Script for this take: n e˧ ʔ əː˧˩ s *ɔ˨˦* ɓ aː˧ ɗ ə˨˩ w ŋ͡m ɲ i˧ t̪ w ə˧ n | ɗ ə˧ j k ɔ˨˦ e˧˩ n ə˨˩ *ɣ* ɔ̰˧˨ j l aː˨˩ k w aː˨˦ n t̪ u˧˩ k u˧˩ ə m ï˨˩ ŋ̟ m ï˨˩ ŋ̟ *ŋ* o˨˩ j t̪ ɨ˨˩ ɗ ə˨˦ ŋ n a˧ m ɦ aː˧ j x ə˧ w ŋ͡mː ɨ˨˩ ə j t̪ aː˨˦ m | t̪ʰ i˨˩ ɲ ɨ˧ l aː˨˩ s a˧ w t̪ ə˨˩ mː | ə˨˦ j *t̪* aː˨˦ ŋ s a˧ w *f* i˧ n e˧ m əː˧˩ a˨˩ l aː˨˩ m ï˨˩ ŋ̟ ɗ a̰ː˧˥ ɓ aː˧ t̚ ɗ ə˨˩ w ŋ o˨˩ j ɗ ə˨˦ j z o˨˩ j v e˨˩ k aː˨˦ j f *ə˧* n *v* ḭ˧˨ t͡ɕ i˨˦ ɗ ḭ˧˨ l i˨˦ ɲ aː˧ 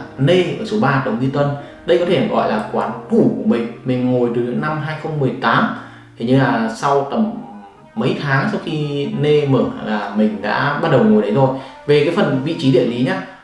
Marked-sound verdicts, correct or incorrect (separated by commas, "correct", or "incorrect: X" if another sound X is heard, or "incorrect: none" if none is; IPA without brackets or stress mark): incorrect: o˨˦, correct, correct, incorrect: t̪ʰ, incorrect: x, incorrect: ə˨˩, correct